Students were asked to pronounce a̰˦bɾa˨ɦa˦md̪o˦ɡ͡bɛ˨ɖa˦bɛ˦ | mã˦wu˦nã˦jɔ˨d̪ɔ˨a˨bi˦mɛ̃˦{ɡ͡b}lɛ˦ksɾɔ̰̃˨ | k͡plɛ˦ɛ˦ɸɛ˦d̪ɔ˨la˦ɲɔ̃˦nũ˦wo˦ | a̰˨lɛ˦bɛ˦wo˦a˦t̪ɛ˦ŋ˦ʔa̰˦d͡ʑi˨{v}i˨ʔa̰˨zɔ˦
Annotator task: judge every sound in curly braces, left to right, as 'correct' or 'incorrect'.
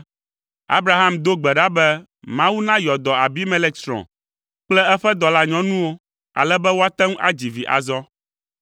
incorrect: none, correct

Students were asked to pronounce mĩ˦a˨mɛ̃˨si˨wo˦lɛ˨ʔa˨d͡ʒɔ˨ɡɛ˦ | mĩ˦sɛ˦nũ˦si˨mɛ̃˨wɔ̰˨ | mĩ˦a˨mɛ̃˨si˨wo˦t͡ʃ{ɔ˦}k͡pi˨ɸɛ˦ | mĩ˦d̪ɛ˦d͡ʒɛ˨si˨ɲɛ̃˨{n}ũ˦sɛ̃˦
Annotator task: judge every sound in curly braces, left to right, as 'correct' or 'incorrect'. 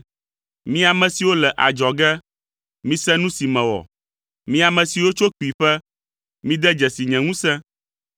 incorrect: o˦, incorrect: ŋ

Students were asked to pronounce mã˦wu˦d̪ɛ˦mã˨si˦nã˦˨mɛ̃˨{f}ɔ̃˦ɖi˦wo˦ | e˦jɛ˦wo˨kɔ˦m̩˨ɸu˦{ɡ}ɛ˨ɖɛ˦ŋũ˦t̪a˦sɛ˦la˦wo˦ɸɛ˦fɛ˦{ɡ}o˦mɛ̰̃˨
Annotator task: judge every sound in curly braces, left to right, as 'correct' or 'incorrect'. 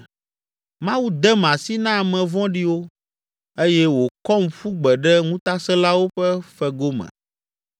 incorrect: v, incorrect: ɡ͡b, correct

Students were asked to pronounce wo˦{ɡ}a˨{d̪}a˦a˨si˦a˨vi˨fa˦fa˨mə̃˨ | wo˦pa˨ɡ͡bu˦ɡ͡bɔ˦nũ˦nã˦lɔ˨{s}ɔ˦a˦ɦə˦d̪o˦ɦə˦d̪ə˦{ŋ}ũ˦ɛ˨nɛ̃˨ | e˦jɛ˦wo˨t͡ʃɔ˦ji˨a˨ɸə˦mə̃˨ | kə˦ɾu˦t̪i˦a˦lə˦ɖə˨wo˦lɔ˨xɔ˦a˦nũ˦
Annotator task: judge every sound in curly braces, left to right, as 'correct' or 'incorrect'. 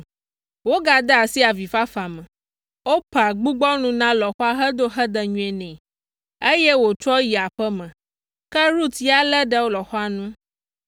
correct, correct, incorrect: x, incorrect: ɲ

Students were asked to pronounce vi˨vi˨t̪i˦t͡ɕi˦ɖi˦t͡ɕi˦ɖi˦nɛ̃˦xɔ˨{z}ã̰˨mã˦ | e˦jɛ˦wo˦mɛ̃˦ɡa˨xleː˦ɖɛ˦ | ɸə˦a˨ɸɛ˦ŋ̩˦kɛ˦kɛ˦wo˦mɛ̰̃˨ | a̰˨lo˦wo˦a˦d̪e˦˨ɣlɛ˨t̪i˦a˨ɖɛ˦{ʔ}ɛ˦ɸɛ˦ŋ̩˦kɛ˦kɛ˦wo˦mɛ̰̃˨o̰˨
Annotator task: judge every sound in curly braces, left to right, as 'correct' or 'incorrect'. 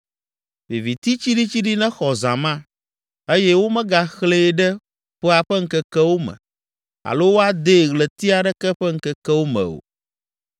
correct, incorrect: k

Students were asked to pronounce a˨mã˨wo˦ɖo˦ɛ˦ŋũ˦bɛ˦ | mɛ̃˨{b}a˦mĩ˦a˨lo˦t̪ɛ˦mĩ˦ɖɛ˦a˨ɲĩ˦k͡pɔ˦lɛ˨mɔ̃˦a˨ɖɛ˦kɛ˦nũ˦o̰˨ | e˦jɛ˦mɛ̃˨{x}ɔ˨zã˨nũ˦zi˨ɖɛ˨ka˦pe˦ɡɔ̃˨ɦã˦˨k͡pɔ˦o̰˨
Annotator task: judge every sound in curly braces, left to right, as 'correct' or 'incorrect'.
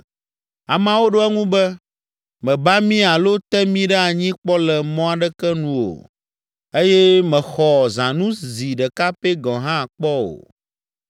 correct, correct

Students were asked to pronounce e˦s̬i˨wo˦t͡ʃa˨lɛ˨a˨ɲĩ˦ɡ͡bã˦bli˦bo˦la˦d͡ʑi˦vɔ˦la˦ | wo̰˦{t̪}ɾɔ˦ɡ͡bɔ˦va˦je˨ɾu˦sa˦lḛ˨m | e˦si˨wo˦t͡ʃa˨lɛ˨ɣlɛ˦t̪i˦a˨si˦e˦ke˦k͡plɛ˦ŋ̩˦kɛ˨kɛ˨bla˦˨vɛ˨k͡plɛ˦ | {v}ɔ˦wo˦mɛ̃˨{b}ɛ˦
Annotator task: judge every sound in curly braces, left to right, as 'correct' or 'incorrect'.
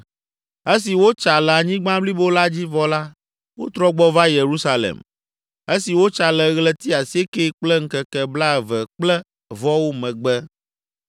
correct, correct, incorrect: ɡ͡b

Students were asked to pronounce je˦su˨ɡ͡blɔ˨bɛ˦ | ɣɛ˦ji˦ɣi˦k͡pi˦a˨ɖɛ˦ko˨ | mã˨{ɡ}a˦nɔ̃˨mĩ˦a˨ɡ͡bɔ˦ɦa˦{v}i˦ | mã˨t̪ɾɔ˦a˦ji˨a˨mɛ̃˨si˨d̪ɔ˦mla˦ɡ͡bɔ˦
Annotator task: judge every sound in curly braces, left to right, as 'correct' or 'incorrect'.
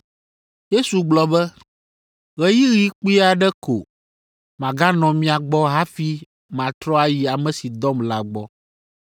correct, incorrect: f

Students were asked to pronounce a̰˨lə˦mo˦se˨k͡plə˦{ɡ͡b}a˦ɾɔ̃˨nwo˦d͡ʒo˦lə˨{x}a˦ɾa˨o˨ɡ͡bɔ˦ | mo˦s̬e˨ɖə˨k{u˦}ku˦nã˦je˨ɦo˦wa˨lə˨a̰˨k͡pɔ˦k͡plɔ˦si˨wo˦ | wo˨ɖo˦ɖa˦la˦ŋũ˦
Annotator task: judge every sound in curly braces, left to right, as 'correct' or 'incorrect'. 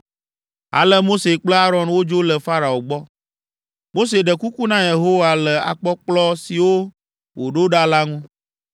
incorrect: none, incorrect: f, correct

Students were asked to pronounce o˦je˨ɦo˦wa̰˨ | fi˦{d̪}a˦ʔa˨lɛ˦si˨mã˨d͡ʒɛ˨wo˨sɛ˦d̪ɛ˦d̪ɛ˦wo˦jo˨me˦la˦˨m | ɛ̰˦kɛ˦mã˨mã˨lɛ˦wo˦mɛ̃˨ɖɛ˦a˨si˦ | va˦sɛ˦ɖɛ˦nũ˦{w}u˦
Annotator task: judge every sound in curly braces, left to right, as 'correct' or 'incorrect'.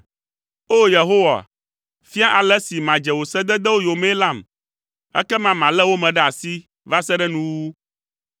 incorrect: none, correct

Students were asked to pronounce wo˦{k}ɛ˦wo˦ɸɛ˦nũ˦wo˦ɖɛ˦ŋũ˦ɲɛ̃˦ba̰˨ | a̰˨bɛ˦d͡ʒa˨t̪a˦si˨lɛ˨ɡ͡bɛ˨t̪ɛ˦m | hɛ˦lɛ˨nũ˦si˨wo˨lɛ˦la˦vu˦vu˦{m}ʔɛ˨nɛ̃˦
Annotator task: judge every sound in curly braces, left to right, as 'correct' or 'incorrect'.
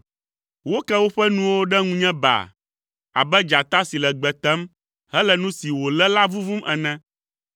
correct, correct

